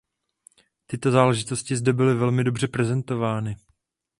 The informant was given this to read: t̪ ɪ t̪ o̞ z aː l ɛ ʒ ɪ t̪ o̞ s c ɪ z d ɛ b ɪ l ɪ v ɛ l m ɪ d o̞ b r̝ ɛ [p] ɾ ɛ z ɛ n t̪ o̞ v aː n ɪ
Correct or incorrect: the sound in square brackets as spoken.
correct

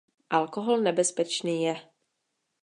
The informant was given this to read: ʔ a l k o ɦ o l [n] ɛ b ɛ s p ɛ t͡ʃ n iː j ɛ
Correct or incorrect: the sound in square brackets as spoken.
correct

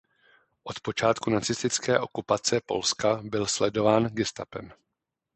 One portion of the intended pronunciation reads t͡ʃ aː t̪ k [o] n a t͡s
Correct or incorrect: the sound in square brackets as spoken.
incorrect: u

